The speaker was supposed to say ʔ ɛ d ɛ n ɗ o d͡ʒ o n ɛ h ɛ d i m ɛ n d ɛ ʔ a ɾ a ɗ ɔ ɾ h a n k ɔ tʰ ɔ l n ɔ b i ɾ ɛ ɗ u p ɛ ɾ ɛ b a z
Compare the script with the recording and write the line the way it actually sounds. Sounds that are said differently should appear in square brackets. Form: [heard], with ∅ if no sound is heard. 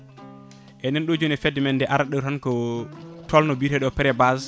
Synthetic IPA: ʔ ɛ [n] ɛ n ɗ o d͡ʒ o n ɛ [f] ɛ d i m ɛ n d ɛ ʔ a ɾ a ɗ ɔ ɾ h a n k ɔ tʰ ɔ l n ɔ b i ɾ ɛ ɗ [ɔ] p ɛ ɾ ɛ b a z